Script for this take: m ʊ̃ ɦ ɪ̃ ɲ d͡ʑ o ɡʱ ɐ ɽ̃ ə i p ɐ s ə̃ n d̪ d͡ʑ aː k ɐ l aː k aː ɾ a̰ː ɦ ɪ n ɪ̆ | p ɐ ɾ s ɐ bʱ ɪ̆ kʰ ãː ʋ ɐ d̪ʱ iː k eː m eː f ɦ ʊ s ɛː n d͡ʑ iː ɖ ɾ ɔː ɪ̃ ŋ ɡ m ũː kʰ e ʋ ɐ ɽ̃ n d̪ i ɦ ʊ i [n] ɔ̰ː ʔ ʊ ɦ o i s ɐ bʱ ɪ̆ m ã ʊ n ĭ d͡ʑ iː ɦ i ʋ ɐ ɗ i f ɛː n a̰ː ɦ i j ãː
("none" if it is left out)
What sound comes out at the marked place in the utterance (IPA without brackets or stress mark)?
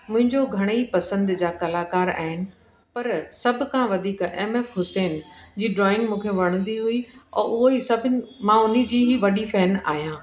none